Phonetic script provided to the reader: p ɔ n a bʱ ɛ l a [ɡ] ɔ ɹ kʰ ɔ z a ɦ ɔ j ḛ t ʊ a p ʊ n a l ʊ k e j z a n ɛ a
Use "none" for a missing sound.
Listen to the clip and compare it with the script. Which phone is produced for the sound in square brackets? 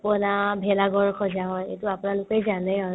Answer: ɡ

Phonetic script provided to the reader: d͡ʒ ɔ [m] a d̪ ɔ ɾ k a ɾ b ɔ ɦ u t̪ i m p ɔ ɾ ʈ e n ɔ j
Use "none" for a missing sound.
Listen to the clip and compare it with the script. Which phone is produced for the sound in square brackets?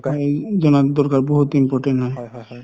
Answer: n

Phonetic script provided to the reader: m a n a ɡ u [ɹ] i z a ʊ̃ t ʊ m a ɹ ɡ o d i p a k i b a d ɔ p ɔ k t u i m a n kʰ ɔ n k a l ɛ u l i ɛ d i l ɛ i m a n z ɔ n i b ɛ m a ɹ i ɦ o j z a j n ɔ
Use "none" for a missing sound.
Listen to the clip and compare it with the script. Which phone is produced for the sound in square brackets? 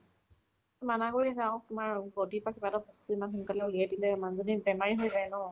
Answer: ɹ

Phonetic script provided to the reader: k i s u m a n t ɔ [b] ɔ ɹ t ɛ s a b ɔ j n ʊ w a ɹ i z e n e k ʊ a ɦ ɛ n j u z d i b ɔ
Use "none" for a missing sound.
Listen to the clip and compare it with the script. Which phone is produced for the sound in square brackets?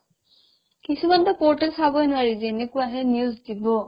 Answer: p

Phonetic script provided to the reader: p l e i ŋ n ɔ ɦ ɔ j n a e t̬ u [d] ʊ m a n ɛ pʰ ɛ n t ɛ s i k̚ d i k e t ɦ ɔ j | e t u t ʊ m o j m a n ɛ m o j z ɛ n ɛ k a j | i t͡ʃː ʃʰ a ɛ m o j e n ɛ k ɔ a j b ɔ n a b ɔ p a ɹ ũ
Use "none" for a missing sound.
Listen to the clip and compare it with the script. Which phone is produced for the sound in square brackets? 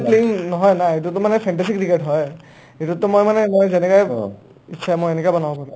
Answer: t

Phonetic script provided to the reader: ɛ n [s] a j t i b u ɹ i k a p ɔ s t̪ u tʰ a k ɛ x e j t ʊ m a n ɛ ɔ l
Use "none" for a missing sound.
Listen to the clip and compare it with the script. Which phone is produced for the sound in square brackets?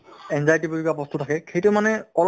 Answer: z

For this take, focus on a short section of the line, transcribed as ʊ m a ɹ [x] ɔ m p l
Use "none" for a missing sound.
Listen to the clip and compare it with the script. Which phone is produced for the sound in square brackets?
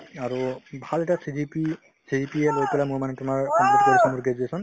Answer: k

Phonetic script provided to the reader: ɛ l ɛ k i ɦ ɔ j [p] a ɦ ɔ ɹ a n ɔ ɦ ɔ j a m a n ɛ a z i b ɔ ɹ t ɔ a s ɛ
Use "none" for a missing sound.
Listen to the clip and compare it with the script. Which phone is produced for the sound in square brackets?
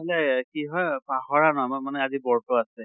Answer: p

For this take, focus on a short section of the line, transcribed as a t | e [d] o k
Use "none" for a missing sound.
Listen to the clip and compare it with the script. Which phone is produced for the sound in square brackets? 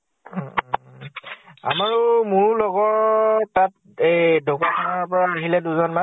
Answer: d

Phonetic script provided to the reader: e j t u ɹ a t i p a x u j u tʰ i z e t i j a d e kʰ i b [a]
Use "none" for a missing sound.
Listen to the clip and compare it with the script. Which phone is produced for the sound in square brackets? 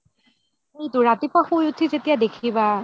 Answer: a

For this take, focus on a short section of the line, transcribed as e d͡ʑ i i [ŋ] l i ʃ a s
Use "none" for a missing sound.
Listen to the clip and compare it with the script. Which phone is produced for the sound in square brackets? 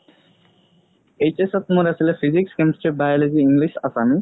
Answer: ŋ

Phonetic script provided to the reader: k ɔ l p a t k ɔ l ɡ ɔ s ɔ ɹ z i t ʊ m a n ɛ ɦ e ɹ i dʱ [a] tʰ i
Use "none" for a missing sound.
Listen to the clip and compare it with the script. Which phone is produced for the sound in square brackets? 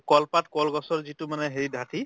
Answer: a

